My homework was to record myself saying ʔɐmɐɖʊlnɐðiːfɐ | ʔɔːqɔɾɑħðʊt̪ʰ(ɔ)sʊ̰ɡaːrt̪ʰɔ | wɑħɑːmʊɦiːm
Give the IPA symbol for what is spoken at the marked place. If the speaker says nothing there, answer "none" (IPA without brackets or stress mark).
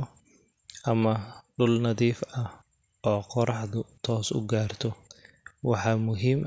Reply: ɔː